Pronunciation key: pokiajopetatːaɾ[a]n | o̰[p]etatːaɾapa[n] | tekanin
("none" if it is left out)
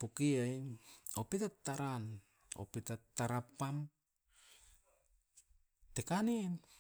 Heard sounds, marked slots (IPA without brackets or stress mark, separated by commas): a, p, m